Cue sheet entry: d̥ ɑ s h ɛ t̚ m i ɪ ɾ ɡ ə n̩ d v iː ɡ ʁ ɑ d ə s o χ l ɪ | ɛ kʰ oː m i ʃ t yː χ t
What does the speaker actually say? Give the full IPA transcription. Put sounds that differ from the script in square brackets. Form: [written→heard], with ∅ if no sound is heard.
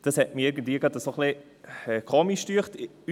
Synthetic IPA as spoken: d̥ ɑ s h ɛ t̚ m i ɪ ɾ ɡ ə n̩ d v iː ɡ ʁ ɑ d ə s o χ l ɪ | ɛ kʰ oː m i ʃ t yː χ t